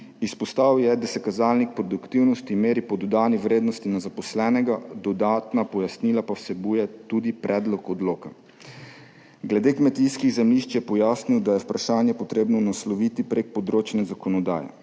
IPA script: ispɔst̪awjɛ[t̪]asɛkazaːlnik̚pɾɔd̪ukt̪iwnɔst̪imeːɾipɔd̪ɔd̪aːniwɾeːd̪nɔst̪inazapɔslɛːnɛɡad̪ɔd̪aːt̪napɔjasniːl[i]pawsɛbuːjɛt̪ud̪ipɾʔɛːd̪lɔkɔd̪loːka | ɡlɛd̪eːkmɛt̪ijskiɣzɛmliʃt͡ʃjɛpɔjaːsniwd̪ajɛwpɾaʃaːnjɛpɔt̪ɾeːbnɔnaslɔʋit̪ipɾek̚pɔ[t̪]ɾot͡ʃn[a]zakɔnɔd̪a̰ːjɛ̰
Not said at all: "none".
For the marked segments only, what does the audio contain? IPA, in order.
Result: d̪, a, d̪, ɛ

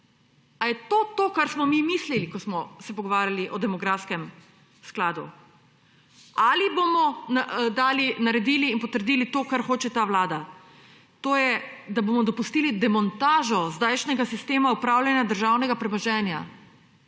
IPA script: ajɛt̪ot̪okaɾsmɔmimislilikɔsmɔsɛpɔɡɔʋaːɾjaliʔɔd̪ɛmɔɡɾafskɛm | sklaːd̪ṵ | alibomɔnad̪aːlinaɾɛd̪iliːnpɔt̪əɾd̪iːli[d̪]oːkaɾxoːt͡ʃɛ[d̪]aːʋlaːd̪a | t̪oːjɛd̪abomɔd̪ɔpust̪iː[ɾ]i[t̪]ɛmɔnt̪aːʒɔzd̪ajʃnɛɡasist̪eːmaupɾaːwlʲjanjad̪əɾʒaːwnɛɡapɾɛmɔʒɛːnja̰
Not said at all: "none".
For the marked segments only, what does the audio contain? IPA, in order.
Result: t̪, t̪, l, d̪

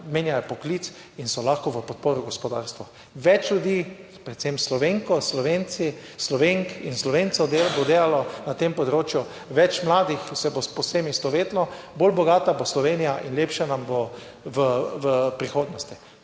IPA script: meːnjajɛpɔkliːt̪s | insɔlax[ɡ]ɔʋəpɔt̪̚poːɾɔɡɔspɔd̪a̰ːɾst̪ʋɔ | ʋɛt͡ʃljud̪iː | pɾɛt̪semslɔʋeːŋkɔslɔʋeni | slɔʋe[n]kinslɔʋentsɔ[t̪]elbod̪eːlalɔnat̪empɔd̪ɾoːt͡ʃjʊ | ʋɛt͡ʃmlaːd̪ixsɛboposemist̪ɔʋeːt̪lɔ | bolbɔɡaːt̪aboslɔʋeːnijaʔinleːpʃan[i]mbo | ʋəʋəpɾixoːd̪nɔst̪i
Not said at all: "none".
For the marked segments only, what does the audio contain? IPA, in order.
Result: k, ŋ, d̪, a

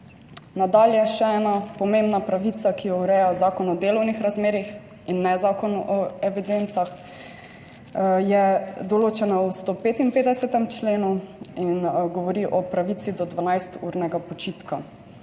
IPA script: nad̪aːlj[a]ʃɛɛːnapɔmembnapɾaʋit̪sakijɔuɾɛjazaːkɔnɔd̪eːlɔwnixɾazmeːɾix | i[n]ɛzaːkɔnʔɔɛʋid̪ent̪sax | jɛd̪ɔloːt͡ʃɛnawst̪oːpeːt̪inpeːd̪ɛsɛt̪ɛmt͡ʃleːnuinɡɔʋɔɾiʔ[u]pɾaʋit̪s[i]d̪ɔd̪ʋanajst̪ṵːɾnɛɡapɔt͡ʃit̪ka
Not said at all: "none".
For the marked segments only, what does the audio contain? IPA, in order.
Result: ɛ, nː, ɔ, i

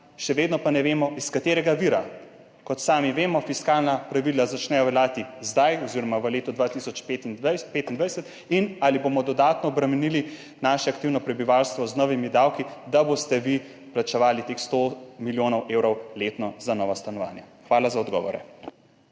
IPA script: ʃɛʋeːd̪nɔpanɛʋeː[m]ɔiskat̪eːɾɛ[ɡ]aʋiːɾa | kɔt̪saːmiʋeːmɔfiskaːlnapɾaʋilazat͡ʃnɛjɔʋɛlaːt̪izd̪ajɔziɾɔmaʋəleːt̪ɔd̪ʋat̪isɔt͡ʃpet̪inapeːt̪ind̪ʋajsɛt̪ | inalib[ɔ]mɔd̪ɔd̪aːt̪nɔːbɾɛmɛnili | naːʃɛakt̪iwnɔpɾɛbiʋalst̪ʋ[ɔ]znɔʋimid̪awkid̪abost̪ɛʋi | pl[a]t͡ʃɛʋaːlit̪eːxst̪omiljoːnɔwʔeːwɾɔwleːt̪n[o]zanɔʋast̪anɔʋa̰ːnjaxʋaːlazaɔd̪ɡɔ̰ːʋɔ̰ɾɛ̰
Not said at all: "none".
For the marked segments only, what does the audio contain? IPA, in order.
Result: m, ɡ, o, ɔ, a, ɔ

